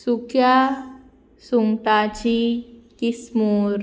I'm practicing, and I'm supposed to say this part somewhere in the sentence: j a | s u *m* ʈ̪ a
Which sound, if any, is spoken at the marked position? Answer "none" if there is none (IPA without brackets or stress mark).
ŋ